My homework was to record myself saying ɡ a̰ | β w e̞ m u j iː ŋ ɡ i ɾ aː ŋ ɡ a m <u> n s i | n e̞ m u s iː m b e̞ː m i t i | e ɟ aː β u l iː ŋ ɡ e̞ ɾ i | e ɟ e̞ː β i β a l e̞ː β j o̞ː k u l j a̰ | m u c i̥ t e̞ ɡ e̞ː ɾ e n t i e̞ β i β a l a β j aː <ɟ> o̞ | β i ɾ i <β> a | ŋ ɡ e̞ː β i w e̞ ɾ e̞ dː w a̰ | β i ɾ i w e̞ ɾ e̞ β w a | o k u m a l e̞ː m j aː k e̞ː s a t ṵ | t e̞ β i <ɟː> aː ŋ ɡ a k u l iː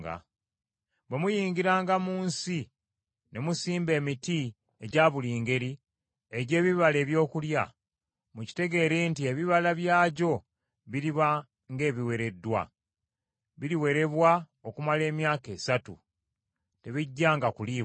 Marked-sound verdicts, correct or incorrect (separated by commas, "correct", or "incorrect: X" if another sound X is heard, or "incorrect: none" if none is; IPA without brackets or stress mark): incorrect: uː, correct, correct, correct